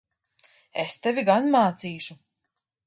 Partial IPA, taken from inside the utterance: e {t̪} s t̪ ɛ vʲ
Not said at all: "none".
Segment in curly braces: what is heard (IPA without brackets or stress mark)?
none